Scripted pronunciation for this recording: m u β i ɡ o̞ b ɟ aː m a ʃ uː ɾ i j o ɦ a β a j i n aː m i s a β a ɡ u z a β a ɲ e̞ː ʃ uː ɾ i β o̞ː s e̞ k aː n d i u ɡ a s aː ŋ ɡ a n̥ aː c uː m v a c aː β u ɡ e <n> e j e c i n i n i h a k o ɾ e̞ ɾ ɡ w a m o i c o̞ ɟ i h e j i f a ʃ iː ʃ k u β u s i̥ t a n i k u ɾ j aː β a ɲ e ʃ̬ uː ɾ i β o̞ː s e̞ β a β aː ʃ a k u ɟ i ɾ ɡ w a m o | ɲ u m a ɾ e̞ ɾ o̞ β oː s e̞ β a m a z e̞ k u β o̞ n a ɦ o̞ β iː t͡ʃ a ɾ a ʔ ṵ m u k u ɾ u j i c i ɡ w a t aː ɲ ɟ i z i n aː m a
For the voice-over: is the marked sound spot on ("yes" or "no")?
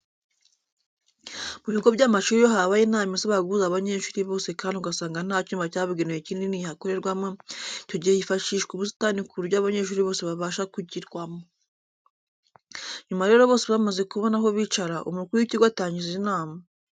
yes